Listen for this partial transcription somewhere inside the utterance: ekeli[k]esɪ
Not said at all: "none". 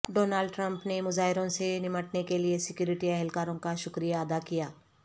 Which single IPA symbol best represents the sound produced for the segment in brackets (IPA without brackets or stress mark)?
none